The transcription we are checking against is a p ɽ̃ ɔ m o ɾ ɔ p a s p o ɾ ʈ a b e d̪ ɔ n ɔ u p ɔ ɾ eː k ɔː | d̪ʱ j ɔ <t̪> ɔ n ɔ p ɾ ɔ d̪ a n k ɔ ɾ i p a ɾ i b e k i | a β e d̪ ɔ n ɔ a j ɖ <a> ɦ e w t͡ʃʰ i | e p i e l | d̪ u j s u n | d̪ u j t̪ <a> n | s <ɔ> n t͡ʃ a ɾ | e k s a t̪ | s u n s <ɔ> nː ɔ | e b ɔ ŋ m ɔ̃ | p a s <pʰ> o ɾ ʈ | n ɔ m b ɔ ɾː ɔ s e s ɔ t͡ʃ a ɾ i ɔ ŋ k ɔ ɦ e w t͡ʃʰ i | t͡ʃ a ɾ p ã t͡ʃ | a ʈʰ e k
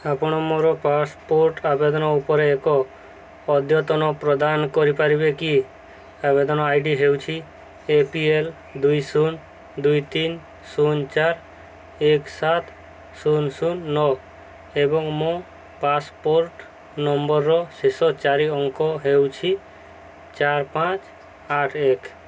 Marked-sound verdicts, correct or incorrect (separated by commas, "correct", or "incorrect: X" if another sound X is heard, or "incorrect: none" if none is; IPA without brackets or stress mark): correct, incorrect: i, incorrect: i, incorrect: u, incorrect: u, incorrect: p